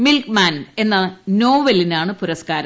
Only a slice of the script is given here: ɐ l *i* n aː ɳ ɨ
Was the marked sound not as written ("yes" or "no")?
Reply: no